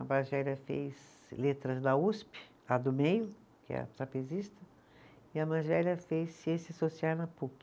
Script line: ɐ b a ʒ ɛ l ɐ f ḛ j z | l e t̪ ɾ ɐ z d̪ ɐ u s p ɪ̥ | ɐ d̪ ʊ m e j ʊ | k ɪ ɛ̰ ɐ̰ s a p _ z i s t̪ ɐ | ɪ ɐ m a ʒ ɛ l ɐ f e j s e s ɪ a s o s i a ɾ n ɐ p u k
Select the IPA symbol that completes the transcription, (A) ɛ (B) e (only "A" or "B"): B